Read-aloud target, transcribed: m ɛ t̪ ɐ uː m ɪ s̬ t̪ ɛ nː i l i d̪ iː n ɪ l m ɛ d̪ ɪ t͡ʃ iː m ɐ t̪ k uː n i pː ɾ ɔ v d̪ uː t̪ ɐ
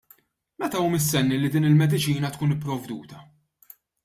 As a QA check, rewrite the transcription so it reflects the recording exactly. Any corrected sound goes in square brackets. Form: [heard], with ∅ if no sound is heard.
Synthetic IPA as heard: m ɛ t̪ ɐ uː m ɪ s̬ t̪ ɛ nː i l i d̪ iː n ɪ l m ɛ d̪ ɪ t͡ʃ iː [n] ɐ t̪ k uː n [ɪ] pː ɾ ɔ v d̪ uː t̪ ɐ